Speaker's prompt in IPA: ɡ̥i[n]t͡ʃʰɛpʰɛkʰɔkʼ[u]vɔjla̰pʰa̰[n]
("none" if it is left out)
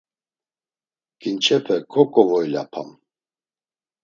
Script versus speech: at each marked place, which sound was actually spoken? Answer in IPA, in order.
n, ɔ, m

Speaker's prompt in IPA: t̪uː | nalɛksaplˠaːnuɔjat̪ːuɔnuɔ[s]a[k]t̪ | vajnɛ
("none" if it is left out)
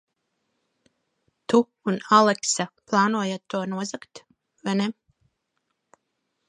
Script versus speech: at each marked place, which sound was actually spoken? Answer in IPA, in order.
z, k

